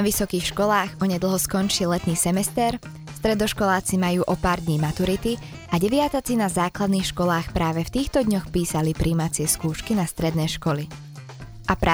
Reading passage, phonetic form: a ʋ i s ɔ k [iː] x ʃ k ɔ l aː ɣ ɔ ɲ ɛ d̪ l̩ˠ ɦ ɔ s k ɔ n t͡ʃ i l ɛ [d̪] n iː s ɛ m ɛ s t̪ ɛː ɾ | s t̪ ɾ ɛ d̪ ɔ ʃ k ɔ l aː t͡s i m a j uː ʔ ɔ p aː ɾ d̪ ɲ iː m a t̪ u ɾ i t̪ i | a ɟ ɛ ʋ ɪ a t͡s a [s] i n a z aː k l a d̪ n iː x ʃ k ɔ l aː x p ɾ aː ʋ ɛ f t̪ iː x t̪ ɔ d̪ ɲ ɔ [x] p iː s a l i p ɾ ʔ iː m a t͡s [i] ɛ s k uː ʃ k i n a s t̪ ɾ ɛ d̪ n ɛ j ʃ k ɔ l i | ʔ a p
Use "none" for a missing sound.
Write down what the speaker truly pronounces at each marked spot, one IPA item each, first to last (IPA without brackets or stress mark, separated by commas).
iː, t̪, t͡s, x, ɪ